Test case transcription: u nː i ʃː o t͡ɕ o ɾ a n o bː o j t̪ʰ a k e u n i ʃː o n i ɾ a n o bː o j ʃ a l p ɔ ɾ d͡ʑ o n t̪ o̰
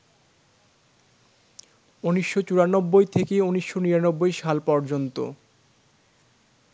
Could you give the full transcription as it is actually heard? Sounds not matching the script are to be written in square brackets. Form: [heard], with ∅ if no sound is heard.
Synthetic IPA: u [n] i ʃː o t͡ɕ [u] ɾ a n o bː o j t̪ʰ [e] k e u n i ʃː o n i ɾ a n o bː o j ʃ a l p ɔ ɾ d͡ʑ o n t̪ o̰